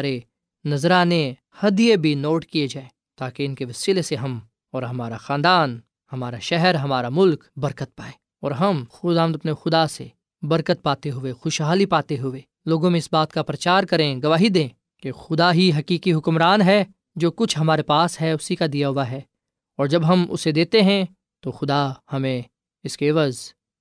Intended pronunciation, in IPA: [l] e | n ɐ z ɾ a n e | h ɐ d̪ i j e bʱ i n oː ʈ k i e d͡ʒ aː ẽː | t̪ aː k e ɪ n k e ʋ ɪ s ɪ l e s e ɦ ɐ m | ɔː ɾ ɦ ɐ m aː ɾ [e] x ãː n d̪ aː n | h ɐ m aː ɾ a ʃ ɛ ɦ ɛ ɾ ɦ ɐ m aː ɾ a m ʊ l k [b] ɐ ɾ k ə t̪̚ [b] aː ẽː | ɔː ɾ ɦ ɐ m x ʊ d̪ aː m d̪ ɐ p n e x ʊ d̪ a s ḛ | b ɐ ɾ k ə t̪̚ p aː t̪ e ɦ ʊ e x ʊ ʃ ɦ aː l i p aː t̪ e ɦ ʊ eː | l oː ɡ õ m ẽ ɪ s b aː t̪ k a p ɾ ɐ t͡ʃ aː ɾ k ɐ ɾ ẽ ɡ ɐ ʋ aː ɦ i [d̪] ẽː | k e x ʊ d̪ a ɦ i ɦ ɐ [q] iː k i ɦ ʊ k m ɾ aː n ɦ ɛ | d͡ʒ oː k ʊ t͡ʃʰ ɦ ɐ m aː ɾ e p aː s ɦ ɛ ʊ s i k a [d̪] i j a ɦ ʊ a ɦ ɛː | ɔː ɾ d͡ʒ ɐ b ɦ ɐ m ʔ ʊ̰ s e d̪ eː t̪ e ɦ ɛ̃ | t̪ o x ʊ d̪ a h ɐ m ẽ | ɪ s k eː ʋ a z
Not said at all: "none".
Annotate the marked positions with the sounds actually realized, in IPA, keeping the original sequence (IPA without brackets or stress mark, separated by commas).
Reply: ɾ, a, b, p, d̪, k, d̪